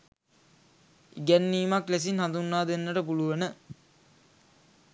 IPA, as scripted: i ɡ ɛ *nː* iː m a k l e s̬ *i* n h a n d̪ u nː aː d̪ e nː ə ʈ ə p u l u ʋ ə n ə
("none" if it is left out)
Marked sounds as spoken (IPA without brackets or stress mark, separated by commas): nː, i